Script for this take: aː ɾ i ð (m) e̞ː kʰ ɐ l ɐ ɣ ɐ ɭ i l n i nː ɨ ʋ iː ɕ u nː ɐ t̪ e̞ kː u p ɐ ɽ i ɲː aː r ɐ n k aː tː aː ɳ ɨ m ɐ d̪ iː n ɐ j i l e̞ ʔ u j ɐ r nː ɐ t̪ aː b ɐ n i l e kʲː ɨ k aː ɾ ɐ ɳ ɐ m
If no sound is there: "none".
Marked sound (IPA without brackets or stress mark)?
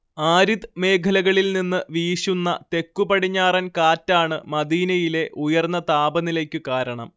m